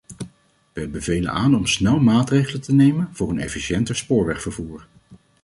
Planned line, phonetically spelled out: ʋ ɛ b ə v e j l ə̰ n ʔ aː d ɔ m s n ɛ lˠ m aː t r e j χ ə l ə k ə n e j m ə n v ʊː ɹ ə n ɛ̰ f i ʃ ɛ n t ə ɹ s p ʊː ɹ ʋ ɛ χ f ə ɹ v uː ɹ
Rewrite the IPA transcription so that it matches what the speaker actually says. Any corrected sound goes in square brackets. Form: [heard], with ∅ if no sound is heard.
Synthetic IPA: ʋ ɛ b ə v e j l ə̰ n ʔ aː [n] ɔ m s n ɛ lˠ m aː t r e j χ ə l ə [t] ə n e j m ə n v ʊː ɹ ə n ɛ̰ f i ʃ ɛ n t ə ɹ s p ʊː ɹ ʋ ɛ χ f ə ɹ v uː ɹ

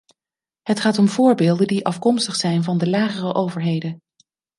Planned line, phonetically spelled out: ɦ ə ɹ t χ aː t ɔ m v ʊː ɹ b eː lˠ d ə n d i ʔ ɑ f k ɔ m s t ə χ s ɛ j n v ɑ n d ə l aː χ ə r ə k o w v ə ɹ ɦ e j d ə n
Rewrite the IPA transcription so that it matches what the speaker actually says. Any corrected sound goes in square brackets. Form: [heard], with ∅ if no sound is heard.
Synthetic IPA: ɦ ə [∅] t χ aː t ɔ m v ʊː ɹ b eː lˠ d ə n d i ʔ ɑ f k ɔ m s t ə χ s ɛ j n v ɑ n d ə l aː χ ə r ə [ʔ] o w v ə ɹ ɦ e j d ə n

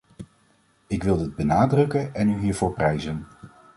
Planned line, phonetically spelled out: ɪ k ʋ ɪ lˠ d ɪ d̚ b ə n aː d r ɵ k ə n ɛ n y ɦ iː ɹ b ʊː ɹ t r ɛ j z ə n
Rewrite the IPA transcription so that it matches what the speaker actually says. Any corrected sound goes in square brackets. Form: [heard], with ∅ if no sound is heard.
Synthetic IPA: ɪ k ʋ ɪ lˠ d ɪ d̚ b ə n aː d r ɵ k ə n ɛ n y ɦ iː ɹ [v] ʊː ɹ [p] r ɛ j z ə n

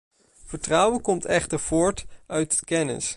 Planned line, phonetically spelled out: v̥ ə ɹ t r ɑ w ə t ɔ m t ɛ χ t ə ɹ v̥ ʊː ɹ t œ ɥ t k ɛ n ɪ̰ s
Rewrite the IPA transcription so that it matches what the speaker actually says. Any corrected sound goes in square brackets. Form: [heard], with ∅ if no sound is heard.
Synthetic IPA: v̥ ə ɹ t r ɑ w ə [k] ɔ m t ɛ χ t ə ɹ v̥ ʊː ɹ t œ ɥ t k ɛ n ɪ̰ s

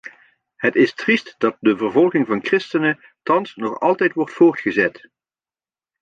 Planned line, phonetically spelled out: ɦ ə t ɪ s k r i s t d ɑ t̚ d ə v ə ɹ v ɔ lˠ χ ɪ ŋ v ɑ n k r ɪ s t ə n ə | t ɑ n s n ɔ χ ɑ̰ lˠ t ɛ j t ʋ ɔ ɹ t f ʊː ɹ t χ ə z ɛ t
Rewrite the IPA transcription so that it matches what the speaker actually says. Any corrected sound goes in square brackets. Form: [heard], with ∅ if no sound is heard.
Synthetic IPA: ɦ ə t ɪ s [t] r i s t d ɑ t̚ d ə v ə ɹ v ɔ lˠ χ ɪ ŋ v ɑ n k r ɪ s t ə n ə | t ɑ n s n ɔ χ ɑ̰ lˠ t ɛ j t ʋ ɔ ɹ t f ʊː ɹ t χ ə z ɛ t

